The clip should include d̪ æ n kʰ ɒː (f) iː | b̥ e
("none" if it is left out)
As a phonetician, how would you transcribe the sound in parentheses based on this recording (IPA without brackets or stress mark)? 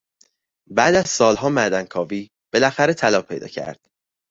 v